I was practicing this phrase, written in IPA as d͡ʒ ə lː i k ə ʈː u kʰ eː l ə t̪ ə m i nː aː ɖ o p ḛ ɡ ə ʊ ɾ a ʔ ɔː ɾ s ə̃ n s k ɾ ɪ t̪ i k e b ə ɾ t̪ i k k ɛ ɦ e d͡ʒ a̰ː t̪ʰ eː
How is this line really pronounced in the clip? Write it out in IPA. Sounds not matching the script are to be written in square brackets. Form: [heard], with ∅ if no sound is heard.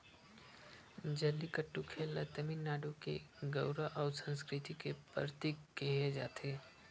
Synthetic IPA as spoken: d͡ʒ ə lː i k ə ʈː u kʰ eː l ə t̪ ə m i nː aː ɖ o [k] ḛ ɡ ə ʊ ɾ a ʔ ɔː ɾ s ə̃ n s k ɾ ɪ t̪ i k e [p] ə ɾ t̪ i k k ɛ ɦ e d͡ʒ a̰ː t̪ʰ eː

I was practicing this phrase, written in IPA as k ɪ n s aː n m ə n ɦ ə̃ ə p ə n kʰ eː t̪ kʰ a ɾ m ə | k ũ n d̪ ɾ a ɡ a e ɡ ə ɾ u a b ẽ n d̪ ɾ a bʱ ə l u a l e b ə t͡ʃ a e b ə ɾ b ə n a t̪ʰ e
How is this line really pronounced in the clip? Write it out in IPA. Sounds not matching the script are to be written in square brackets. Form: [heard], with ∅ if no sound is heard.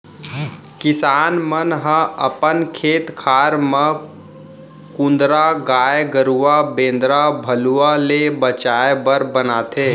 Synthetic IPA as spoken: k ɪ [∅] s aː n m ə n ɦ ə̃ ə p ə n kʰ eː t̪ kʰ a ɾ m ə | k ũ n d̪ ɾ a ɡ a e ɡ ə ɾ u a b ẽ n d̪ ɾ a bʱ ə l u a l e b ə t͡ʃ a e b ə ɾ b ə n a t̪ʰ e

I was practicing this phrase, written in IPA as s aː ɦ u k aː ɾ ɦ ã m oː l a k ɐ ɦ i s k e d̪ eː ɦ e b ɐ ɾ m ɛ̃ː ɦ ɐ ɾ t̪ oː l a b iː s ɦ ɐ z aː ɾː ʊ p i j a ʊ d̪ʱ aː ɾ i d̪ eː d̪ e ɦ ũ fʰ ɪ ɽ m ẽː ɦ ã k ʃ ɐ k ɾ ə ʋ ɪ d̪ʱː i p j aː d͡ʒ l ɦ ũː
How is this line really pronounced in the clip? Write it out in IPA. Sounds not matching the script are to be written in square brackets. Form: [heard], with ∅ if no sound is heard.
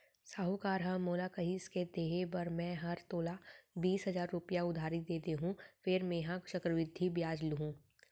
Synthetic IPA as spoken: s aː ɦ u k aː ɾ ɦ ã m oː l a k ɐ ɦ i s k e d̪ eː ɦ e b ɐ ɾ m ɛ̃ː ɦ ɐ ɾ t̪ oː l a b iː s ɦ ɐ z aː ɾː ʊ p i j a ʊ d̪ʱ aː ɾ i d̪ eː [t̪] e ɦ ũ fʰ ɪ [ɾ] m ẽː ɦ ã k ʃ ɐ k ɾ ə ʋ ɪ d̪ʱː i [b] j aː d͡ʒ l ɦ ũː

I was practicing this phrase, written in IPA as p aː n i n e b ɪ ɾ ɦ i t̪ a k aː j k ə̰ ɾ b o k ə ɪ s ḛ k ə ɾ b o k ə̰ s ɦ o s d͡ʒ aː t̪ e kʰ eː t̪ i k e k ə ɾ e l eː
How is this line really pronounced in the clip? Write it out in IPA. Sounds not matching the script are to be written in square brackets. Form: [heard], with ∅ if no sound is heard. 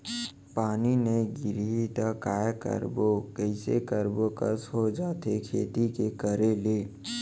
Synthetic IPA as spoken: p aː n i n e [ɡ] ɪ ɾ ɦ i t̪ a k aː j k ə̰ ɾ b o k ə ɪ s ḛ k ə ɾ b o k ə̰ s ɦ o [∅] d͡ʒ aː t̪ e kʰ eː t̪ i k e k ə ɾ e l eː

